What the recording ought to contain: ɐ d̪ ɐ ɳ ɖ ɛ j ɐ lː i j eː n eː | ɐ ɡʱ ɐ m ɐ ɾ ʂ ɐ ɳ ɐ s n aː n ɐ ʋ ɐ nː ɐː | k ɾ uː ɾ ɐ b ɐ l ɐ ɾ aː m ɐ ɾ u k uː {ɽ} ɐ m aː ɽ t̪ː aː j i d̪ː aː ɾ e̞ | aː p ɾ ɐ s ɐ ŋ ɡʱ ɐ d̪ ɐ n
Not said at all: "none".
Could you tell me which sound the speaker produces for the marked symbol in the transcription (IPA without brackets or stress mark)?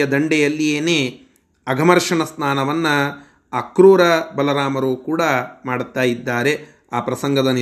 ɽ